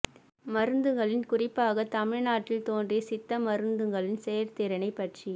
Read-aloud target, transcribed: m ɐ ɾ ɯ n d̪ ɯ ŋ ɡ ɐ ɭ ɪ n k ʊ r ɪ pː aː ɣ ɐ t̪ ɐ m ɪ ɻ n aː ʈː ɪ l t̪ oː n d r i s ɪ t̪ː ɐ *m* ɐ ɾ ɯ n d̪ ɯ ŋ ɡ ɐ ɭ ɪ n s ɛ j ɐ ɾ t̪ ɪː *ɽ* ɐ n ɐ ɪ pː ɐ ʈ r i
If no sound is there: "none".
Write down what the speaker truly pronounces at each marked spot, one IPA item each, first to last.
m, ɾ

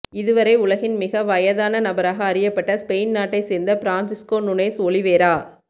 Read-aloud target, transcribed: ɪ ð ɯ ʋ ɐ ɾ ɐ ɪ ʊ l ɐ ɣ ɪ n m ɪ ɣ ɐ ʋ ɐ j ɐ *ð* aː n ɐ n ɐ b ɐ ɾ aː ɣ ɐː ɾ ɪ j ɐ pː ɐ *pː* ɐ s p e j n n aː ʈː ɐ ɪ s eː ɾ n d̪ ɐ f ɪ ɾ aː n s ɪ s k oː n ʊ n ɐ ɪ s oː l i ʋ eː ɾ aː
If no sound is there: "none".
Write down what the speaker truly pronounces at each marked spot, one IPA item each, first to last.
ð, ʈː

